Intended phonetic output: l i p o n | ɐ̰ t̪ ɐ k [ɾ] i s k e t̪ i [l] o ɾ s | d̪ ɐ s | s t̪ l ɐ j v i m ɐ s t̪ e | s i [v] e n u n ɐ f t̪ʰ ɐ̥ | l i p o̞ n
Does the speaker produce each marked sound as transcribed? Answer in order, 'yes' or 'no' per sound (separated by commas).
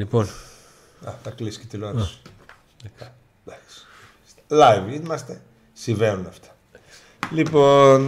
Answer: no, yes, yes